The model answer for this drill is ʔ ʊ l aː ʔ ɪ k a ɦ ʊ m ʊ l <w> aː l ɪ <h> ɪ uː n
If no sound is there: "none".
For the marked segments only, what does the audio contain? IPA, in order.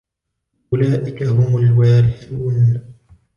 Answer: w, ħ

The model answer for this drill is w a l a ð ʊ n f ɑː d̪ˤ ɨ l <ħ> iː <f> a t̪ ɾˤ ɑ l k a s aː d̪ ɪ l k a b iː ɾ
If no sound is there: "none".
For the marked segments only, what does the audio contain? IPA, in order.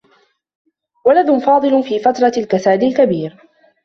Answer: f, f

